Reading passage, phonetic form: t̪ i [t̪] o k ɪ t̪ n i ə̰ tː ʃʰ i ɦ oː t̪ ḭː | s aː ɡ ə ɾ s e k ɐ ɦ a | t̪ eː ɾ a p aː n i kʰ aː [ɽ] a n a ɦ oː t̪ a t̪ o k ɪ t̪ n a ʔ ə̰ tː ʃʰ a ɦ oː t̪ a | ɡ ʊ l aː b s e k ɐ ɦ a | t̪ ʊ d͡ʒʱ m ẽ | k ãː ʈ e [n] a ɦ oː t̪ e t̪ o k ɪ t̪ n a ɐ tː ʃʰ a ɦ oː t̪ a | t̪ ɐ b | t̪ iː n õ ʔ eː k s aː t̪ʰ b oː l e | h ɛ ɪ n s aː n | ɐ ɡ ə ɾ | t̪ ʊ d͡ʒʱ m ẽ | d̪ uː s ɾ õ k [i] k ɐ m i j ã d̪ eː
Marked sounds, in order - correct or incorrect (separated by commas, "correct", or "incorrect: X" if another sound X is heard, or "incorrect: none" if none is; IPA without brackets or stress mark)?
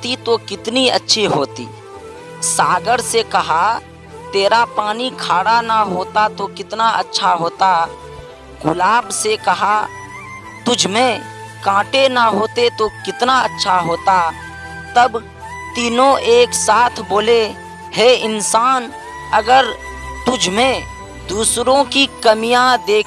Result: correct, correct, correct, correct